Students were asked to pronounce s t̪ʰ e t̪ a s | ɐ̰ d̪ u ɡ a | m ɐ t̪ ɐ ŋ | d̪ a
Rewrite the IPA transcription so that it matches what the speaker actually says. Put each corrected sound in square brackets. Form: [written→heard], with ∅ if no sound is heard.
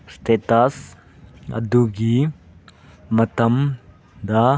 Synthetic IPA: s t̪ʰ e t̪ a s | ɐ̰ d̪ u ɡ [a→i] | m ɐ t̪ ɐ [ŋ→m] | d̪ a